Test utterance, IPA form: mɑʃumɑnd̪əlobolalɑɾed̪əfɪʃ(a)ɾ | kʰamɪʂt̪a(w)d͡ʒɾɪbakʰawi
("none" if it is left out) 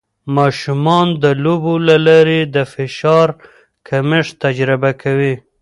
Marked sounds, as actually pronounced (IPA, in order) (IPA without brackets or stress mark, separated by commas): ɑ, none